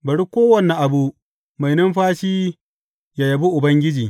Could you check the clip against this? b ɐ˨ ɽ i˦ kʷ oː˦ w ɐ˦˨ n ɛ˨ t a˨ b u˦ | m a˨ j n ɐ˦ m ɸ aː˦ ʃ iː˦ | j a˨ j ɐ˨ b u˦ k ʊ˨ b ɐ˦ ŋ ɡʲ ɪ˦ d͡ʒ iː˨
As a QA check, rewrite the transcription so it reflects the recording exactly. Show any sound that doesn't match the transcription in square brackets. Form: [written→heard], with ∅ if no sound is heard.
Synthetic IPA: b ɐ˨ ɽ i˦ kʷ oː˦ w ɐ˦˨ n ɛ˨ [t→ʔ] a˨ b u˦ | m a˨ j n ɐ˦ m ɸ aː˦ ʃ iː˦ | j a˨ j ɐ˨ b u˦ [k→ʔ] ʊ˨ b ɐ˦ ŋ ɡʲ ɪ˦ d͡ʒ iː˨